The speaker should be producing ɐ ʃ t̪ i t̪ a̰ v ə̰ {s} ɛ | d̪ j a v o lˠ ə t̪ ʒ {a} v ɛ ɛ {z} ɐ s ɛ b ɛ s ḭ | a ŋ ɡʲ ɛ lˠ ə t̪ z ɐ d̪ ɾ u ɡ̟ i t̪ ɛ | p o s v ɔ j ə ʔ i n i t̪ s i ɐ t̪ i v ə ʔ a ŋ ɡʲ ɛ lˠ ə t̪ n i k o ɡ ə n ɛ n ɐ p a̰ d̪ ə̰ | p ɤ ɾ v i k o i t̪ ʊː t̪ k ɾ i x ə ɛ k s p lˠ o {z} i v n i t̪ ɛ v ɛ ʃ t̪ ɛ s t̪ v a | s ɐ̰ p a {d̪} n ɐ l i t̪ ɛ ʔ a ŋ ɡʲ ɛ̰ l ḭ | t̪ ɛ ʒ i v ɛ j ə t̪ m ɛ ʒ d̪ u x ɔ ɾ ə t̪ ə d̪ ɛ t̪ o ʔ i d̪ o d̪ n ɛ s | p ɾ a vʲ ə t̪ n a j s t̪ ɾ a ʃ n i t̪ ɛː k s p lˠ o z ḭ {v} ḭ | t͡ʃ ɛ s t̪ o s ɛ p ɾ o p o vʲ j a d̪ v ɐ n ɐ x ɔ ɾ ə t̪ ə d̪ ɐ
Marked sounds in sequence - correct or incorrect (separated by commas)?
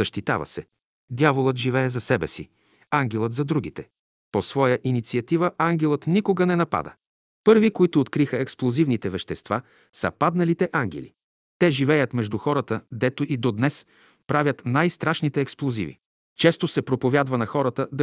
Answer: correct, incorrect, correct, correct, correct, correct